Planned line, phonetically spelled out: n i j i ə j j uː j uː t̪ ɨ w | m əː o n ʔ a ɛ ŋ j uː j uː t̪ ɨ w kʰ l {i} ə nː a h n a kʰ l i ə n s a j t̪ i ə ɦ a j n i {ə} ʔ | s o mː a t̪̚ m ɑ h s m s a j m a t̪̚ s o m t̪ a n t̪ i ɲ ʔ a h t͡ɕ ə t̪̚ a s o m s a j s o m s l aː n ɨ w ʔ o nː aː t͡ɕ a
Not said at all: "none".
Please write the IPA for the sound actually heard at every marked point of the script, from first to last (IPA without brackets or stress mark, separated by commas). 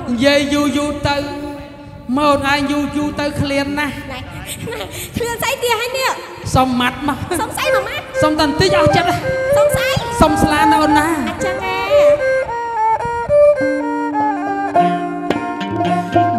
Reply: i, ə